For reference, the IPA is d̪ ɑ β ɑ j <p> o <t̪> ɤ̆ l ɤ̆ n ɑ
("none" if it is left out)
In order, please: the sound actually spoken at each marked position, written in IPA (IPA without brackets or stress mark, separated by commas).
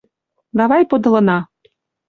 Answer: p, d̪